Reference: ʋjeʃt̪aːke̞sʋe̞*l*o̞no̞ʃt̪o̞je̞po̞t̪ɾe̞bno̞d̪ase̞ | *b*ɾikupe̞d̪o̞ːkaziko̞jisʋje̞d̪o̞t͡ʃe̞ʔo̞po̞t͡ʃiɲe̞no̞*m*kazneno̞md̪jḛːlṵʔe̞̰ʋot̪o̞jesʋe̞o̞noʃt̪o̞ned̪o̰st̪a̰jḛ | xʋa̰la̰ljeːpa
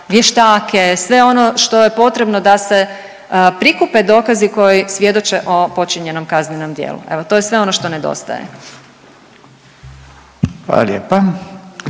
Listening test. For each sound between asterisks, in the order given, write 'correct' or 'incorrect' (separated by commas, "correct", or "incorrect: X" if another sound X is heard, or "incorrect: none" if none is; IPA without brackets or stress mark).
incorrect: none, incorrect: p, correct